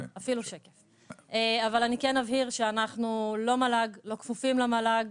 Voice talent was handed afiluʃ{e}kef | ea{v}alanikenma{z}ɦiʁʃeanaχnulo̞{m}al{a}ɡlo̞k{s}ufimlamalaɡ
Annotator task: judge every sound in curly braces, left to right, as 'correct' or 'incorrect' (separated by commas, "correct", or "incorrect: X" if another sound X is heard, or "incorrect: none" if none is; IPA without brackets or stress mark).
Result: correct, correct, incorrect: v, correct, correct, incorrect: f